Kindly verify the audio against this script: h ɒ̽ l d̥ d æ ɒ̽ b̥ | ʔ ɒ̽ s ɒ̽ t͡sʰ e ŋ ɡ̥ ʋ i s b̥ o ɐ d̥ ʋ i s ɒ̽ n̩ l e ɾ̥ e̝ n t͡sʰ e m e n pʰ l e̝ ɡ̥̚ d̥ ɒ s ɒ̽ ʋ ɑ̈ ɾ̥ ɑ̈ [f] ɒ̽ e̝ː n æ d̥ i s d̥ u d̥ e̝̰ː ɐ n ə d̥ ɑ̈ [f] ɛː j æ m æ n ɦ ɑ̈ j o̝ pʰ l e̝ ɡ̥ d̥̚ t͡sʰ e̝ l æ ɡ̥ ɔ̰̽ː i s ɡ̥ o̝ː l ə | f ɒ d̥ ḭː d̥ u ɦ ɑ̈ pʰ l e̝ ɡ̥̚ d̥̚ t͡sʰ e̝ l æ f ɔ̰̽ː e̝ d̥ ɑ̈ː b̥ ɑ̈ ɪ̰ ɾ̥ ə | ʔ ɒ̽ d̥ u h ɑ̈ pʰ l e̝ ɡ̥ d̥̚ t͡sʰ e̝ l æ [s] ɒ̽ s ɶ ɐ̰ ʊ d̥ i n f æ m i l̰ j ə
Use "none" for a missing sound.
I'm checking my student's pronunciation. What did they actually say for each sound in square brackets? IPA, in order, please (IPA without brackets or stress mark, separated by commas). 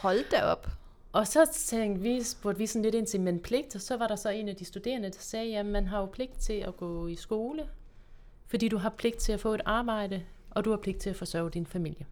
s, s, f